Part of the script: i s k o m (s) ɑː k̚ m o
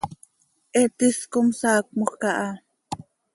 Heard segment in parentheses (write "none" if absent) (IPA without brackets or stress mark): s